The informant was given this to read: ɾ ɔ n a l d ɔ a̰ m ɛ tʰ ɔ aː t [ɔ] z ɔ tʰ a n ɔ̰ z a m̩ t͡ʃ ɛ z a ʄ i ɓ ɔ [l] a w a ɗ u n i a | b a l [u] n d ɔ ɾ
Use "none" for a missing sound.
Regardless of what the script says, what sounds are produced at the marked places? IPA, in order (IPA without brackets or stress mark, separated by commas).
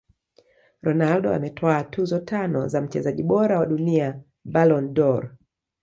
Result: u, ɾ, ɔ